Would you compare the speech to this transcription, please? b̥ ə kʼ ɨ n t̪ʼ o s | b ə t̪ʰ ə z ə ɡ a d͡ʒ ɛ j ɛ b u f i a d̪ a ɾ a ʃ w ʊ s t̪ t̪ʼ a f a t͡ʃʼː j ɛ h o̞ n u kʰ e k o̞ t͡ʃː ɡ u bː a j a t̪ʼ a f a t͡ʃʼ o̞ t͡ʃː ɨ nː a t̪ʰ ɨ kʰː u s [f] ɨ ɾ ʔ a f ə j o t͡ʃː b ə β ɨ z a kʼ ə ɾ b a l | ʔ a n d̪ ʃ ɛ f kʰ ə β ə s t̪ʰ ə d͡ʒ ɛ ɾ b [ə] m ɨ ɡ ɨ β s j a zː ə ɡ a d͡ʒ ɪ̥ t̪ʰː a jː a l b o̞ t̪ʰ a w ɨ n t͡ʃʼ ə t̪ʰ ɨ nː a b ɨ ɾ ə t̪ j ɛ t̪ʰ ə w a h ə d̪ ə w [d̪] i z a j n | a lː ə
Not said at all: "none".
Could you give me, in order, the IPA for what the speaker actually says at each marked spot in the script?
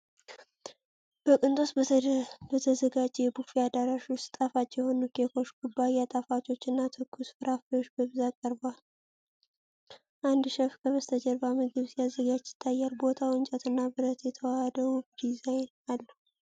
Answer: f, a, d̪

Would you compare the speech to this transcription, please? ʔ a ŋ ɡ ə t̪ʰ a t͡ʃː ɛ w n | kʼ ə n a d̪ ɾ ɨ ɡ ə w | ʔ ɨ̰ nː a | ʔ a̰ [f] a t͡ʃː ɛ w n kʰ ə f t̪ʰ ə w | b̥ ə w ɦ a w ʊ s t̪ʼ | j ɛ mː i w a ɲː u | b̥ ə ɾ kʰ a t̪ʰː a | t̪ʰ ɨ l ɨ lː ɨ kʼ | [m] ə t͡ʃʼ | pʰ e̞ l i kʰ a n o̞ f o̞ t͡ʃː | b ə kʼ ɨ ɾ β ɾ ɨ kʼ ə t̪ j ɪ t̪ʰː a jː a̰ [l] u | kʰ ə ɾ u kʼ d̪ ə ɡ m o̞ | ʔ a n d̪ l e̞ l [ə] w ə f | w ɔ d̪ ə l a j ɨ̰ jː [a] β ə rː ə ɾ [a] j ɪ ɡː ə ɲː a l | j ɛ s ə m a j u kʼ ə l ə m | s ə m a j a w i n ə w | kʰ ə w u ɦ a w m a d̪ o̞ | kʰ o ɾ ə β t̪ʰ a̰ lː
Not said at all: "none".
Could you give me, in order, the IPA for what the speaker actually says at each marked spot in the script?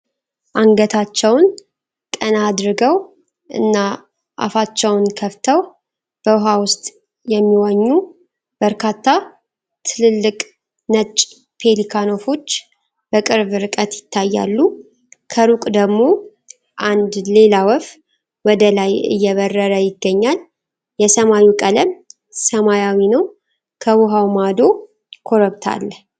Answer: f, n, lː, a, ɛ, ə

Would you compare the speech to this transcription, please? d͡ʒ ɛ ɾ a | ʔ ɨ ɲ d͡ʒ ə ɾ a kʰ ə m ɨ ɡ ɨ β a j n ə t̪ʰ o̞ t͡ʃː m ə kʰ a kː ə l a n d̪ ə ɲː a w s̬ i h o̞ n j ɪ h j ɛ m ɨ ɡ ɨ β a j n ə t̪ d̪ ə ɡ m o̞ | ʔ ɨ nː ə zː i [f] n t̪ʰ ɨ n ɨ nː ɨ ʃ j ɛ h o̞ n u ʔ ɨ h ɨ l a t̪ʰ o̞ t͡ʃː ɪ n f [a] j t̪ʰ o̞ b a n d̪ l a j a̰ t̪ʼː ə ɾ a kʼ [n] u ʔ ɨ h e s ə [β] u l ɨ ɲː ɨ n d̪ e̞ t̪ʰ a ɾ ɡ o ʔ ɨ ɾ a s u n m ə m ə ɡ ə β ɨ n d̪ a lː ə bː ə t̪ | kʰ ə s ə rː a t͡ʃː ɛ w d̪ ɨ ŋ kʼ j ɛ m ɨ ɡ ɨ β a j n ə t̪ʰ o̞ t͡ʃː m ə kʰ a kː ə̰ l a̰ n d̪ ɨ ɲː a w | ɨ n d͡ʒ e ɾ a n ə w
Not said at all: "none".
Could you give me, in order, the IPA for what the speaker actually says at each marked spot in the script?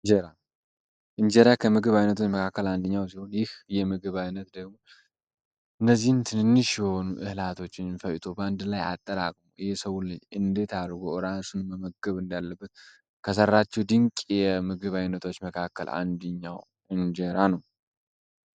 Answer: h, ə, m, w

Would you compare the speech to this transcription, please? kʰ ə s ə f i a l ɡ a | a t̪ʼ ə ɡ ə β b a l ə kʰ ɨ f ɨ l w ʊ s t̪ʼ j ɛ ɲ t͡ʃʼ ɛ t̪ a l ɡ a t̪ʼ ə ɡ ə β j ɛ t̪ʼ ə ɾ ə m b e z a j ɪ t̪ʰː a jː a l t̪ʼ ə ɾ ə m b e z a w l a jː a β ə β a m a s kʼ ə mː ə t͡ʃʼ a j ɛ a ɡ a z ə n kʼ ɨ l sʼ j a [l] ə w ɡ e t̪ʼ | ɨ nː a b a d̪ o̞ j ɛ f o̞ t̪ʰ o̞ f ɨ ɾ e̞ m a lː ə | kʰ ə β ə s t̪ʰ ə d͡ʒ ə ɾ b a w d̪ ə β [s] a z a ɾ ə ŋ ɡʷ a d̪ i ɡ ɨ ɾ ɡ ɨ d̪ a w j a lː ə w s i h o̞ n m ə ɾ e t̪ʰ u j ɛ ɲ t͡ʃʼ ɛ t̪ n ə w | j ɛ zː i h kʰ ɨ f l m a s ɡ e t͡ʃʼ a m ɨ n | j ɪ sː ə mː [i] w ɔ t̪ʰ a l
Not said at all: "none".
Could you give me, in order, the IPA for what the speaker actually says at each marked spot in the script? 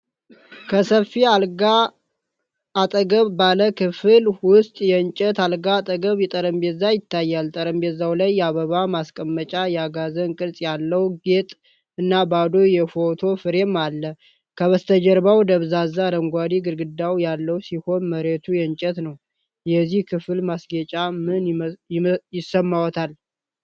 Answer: lː, z, a

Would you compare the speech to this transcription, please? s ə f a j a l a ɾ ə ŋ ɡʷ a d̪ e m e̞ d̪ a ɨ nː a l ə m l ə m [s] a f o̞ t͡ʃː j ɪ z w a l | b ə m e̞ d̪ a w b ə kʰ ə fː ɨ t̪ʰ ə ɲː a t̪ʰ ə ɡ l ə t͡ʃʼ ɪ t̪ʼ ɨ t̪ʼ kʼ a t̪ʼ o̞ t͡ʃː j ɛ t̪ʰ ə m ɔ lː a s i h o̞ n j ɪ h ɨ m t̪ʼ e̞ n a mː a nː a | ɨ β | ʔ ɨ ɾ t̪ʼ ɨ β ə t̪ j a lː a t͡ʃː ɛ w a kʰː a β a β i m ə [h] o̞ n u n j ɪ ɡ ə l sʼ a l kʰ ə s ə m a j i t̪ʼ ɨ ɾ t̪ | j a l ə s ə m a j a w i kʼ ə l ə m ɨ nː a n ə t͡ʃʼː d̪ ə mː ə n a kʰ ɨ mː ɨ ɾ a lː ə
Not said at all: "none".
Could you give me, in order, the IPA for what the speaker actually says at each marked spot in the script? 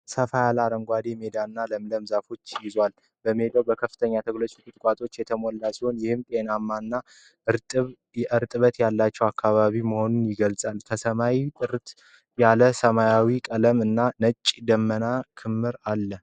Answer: z, h

